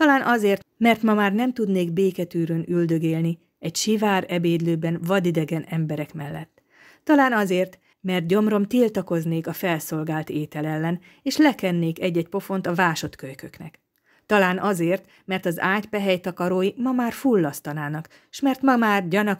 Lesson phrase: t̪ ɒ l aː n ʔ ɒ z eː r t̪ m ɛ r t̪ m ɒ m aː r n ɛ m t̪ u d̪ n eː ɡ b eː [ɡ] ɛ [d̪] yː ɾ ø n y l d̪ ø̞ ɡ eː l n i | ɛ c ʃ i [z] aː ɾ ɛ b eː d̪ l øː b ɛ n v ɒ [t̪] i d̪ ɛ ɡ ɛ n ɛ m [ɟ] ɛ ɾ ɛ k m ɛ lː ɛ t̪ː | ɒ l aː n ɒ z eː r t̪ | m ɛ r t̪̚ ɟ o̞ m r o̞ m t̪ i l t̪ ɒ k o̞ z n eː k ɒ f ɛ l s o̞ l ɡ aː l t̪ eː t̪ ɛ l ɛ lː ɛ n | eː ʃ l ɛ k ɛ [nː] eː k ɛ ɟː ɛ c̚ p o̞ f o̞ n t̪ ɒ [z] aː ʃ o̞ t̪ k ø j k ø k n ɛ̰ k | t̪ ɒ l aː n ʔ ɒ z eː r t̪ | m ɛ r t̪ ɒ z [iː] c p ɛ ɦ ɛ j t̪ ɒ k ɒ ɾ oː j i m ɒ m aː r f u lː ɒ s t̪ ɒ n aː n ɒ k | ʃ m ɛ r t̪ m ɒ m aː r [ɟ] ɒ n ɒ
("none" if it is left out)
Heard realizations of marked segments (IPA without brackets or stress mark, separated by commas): k, t̪, v, d̪, b, nː, v, aː, ɟ